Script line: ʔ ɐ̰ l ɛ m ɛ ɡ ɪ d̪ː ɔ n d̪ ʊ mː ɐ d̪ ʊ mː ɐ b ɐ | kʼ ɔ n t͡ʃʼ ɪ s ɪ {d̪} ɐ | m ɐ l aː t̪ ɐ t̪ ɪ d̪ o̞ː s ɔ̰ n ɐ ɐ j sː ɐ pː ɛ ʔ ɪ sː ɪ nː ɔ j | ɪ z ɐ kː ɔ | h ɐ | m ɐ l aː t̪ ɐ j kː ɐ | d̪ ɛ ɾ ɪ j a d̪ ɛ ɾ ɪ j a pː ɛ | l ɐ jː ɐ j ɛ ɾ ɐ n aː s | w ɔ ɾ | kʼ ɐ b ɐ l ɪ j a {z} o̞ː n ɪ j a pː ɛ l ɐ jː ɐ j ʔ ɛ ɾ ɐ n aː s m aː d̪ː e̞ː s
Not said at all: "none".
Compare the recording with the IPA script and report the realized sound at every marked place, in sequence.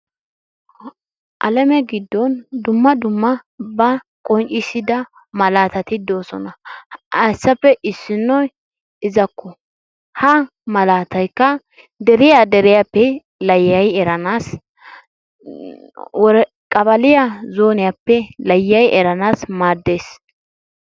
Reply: d̪, z

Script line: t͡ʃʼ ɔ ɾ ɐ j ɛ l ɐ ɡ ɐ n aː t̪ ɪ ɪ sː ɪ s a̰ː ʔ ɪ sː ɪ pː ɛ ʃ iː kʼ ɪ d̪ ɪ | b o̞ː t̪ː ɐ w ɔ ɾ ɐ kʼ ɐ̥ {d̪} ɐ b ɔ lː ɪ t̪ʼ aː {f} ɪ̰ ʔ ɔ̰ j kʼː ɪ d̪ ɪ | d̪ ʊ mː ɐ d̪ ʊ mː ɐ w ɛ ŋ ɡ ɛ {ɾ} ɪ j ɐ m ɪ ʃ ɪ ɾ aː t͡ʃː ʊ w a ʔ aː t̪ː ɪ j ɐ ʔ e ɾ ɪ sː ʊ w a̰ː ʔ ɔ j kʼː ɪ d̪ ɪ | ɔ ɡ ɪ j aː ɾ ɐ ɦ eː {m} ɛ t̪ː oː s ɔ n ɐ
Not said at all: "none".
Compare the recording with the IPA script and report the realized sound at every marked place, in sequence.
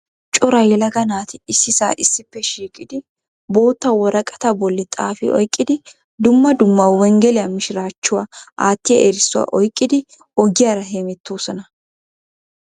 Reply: t̪, f, l, m

